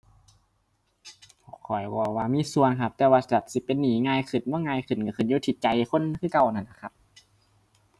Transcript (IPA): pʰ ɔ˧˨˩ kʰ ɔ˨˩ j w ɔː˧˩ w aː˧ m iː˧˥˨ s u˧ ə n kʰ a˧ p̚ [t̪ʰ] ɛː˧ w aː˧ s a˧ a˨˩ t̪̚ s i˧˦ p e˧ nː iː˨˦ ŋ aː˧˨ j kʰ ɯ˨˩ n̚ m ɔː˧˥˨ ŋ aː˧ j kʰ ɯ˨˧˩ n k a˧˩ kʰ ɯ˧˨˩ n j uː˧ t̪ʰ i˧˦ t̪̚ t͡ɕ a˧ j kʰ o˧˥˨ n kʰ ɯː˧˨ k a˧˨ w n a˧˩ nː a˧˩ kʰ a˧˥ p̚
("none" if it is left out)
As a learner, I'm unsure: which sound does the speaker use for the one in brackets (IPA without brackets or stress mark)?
t̪